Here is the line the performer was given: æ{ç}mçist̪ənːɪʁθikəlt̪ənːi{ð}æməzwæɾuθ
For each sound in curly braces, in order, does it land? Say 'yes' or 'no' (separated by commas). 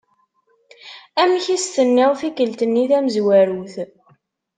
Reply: no, no